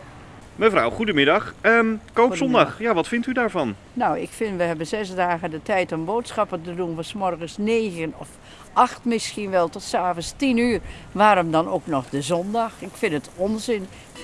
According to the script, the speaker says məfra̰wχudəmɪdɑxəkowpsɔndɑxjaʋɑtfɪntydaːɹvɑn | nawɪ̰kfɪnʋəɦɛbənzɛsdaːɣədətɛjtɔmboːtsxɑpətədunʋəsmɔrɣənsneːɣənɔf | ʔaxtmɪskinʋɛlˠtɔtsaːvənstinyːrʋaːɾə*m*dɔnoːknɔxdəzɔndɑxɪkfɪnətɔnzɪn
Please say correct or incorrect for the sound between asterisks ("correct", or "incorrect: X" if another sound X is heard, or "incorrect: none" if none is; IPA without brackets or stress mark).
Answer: correct